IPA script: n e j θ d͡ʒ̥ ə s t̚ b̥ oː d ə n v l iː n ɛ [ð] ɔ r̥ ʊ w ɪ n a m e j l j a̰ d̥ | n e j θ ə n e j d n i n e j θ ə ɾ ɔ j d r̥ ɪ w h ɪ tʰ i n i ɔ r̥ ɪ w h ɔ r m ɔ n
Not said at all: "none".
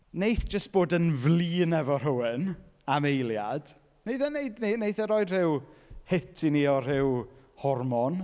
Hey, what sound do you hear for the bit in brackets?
v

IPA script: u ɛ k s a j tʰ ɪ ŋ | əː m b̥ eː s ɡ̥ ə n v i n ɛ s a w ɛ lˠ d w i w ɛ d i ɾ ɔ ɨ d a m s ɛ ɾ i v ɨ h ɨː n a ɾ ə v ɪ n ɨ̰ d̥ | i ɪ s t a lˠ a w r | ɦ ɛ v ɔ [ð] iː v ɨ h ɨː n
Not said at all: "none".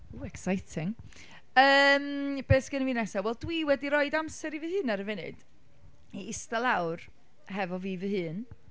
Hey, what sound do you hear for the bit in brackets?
v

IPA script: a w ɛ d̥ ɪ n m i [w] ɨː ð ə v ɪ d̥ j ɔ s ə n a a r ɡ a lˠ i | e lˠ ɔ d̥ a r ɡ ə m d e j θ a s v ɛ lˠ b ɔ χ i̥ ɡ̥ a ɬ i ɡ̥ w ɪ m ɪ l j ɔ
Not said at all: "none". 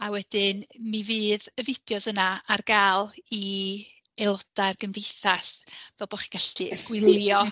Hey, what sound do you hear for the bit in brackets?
v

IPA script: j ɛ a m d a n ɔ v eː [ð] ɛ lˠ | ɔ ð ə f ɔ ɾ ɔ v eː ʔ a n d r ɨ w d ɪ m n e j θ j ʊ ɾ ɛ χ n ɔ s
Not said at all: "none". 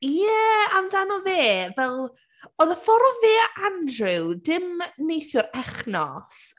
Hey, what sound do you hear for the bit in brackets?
v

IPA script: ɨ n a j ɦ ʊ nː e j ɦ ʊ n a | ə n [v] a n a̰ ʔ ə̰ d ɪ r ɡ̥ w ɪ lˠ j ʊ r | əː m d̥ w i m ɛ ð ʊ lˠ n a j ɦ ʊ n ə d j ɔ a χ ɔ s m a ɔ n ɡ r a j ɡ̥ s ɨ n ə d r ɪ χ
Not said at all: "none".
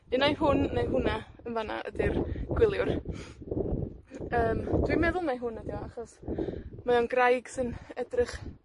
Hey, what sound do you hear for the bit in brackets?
v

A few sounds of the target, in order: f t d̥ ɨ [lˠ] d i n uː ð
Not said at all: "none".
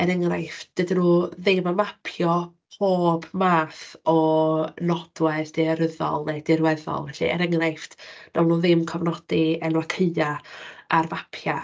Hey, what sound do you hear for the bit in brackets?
none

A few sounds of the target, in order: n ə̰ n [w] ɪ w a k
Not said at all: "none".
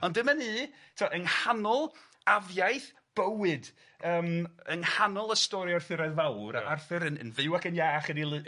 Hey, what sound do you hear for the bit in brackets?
v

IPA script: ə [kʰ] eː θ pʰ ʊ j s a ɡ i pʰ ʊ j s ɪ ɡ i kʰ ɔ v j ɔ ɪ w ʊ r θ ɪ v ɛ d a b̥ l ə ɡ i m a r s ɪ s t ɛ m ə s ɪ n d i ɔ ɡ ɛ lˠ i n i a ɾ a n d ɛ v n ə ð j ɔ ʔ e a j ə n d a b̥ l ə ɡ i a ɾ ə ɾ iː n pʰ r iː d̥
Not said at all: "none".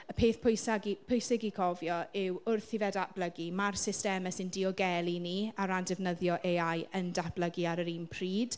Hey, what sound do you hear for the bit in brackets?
pʰ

